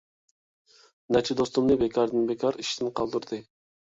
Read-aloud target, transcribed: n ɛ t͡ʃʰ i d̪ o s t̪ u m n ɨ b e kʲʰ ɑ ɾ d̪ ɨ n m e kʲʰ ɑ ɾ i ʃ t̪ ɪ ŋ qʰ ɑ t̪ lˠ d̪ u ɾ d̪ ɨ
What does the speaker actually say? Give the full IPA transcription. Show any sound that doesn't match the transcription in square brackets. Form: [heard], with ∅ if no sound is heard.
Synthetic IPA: n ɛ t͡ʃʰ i d̪ o s t̪ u m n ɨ b e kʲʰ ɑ ɾ d̪ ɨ n [b] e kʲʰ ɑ ɾ i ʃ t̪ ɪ [n] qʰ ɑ [∅] lˠ d̪ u ɾ d̪ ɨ